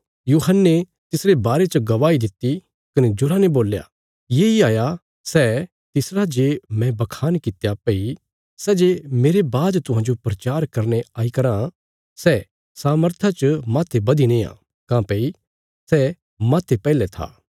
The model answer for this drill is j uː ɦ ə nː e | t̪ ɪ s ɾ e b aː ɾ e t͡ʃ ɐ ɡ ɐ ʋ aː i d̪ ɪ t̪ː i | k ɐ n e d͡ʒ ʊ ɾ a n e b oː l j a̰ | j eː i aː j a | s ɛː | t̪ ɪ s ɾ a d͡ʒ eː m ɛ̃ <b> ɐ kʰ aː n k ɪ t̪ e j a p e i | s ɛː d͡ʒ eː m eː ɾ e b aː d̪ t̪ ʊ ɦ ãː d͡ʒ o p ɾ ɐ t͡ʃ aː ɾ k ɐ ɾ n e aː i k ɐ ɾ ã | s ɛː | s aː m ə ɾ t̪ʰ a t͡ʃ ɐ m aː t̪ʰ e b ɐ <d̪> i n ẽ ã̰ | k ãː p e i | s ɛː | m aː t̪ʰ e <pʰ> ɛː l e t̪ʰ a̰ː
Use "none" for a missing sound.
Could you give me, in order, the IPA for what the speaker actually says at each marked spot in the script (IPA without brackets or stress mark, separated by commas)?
b, d̪, p